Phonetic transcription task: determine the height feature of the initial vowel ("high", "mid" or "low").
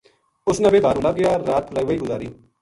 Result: high